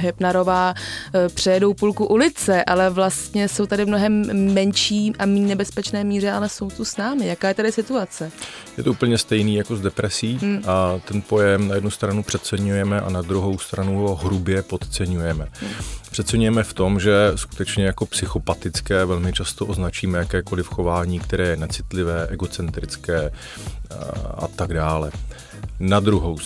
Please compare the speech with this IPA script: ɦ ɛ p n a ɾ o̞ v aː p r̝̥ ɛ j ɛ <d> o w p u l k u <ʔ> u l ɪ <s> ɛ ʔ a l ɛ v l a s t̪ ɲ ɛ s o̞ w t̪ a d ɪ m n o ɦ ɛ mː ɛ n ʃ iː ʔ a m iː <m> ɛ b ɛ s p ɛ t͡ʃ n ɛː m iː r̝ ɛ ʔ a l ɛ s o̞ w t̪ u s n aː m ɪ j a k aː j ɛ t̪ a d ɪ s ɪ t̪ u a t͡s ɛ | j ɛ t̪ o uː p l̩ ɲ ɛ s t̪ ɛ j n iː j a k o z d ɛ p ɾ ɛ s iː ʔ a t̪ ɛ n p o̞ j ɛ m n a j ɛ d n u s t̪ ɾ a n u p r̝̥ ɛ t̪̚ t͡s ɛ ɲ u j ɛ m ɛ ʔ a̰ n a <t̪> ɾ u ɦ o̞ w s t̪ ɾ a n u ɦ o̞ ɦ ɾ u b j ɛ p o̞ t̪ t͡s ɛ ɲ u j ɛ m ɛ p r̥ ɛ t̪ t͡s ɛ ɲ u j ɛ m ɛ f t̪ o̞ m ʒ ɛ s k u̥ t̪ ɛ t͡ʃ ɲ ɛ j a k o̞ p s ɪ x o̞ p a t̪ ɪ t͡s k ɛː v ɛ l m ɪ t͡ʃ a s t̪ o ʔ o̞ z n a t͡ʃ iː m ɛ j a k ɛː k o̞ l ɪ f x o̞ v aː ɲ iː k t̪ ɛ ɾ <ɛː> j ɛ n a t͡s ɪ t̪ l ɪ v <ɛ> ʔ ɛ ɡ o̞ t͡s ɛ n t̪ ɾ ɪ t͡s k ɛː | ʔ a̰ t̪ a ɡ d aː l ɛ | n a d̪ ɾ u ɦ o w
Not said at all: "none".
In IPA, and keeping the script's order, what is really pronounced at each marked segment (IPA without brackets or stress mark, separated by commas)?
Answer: d, ʔ, t͡s, n, d̪, ɛː, ɛː